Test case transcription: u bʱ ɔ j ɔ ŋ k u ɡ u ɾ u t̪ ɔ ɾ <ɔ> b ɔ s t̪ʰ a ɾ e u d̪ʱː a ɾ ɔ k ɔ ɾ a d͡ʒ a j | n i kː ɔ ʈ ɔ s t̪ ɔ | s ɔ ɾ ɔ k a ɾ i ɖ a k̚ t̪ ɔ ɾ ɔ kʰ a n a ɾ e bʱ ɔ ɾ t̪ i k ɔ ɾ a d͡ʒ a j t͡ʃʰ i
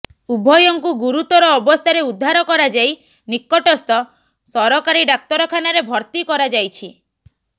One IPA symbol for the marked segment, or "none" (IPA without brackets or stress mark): ɔː